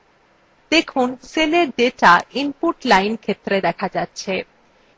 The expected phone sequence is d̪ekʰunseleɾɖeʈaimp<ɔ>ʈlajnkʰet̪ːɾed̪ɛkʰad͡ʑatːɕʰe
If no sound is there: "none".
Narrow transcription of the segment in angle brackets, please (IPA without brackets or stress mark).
u